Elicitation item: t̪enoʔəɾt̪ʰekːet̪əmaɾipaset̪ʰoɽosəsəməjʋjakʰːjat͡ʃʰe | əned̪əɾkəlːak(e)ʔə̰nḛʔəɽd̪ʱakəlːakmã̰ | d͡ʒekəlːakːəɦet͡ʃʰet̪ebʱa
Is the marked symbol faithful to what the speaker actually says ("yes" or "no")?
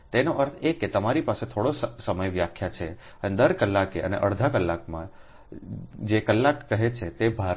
yes